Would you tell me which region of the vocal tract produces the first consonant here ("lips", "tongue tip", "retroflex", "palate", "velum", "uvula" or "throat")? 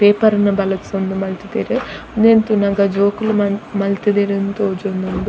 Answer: lips